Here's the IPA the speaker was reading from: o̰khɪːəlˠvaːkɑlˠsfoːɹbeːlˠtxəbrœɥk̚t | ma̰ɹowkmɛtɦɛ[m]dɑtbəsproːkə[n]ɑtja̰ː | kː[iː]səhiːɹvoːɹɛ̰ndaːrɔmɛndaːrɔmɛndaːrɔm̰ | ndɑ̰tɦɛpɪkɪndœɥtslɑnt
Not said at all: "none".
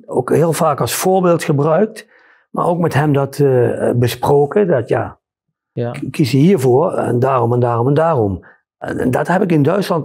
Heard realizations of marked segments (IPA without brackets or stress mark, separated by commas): m, d, i